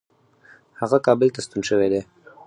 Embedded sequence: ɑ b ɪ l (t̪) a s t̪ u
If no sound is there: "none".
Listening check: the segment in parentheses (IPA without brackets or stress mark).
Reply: t̪